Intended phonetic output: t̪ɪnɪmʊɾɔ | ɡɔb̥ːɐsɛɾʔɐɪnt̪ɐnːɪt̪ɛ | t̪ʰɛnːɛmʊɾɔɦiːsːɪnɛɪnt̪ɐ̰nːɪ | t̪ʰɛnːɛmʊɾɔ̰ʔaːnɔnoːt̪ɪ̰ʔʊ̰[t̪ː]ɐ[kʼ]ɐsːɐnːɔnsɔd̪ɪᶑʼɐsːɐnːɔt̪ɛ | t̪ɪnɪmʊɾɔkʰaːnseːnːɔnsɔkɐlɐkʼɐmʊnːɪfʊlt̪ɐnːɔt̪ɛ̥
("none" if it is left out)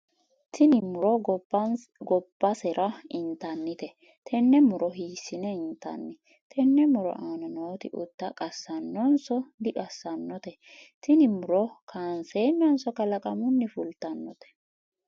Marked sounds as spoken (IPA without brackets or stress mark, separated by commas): t̪ː, kʼ